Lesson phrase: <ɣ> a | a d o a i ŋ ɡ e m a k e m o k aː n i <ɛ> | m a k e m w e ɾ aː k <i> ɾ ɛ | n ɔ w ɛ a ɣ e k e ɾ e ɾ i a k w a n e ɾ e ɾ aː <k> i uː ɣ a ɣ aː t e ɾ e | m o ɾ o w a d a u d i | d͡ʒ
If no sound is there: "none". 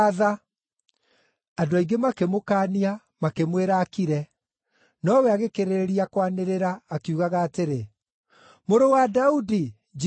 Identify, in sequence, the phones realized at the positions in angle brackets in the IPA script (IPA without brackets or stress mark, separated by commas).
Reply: ð, a, i, k